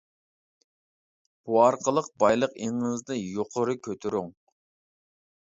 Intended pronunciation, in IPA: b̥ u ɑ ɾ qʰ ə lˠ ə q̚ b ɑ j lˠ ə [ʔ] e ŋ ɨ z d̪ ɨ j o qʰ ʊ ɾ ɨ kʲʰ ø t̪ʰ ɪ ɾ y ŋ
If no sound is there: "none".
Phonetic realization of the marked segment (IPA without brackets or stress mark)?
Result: q